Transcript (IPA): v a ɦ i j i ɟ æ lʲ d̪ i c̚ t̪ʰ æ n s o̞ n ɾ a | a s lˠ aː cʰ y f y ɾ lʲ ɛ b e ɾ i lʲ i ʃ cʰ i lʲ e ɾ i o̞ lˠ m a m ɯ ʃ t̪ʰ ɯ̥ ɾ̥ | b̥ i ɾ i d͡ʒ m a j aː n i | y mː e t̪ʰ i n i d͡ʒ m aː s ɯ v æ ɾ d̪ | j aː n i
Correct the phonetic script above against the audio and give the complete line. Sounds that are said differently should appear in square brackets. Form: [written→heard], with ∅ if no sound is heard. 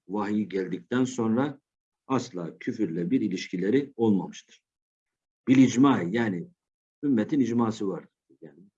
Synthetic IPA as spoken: v a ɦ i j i ɟ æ lʲ d̪ i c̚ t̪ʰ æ n s o̞ n ɾ a | a s lˠ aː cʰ y f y ɾ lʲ ɛ b [e→i] ɾ i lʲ i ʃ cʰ i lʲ e ɾ i o̞ lˠ m a m ɯ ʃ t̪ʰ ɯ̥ ɾ̥ | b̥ i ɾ i d͡ʒ m a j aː n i | y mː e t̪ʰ i n i d͡ʒ m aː s ɯ v [æ→a] ɾ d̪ | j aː n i